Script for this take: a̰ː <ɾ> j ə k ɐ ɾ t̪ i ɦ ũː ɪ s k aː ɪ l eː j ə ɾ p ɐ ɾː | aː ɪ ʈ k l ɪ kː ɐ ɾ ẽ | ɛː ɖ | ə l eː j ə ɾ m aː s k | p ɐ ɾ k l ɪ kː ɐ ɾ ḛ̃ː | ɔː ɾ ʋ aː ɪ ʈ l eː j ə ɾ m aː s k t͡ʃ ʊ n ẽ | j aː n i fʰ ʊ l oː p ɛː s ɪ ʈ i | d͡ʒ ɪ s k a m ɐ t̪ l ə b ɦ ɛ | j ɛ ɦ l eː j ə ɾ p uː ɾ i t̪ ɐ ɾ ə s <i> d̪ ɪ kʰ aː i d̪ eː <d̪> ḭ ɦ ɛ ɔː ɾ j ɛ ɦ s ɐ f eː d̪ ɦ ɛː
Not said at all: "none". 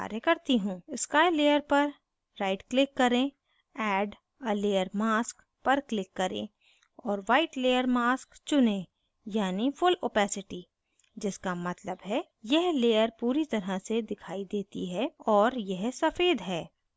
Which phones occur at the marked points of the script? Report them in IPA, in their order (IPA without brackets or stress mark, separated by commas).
ɾ, e, t̪